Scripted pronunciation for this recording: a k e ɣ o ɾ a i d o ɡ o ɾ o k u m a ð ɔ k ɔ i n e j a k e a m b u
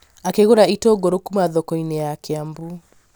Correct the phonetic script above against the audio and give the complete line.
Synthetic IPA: a k e ɣ o ɾ a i t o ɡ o ɾ o k u m a ð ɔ k ɔ i n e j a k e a m b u